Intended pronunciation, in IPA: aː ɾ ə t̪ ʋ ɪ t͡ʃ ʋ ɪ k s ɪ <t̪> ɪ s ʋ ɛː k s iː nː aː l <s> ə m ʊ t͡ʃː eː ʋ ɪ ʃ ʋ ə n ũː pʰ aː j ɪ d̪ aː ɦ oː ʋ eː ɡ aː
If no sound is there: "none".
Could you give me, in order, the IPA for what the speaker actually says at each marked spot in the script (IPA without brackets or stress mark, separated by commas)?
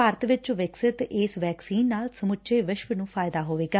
t̪, s